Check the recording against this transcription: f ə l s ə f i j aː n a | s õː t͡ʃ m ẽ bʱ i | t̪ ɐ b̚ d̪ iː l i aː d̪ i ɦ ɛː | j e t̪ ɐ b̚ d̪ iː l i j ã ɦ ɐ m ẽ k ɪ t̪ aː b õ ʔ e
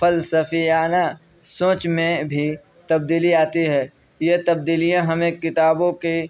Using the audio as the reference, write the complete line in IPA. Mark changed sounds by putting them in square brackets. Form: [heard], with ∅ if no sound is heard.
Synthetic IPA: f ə l s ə f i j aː n a | s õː t͡ʃ m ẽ bʱ i | t̪ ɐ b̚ d̪ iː l i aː [t̪] i ɦ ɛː | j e t̪ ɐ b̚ d̪ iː l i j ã ɦ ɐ m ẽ k ɪ t̪ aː b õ [k] e